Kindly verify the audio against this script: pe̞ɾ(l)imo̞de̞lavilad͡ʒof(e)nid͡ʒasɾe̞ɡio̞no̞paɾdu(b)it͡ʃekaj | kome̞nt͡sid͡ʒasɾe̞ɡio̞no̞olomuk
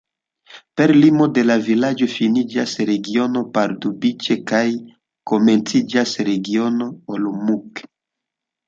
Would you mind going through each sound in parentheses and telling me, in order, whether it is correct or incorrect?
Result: correct, incorrect: i, correct

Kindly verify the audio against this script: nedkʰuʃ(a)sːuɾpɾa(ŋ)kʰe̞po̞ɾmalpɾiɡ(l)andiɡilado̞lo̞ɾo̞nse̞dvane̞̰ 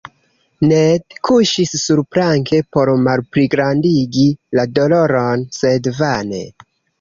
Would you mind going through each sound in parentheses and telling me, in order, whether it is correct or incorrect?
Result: incorrect: i, correct, incorrect: ɾ

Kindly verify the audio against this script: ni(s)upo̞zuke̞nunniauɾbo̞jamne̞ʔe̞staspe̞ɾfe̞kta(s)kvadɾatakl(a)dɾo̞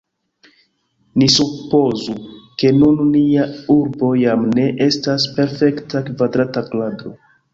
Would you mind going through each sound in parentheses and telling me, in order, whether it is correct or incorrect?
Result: correct, incorrect: none, correct

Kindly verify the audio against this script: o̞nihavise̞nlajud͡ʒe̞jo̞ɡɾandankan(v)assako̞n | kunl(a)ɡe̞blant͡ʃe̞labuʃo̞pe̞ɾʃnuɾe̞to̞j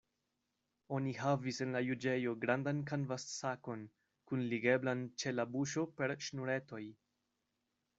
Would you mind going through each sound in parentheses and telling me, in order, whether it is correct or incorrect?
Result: correct, incorrect: i

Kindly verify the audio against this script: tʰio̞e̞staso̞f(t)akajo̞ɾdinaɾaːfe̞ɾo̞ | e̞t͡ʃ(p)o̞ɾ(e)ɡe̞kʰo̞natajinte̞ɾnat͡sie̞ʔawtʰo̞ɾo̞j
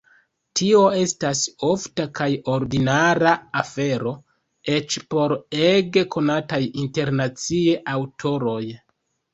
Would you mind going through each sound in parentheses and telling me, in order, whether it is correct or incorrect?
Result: correct, correct, correct

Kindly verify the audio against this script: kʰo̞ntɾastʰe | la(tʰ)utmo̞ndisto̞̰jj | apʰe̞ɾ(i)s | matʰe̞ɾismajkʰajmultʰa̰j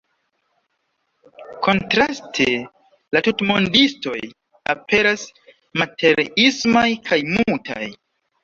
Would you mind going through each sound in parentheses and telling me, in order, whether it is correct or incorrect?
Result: incorrect: t, incorrect: a

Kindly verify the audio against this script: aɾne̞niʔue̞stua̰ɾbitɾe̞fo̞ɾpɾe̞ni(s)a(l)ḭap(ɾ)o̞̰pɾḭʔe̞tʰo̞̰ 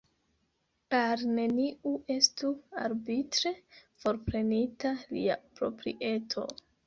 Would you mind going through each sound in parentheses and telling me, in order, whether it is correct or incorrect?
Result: incorrect: t, correct, correct

